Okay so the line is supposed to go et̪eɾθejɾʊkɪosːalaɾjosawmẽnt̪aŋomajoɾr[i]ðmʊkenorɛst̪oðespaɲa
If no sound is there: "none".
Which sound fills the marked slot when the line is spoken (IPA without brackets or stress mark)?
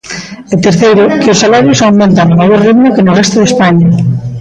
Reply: i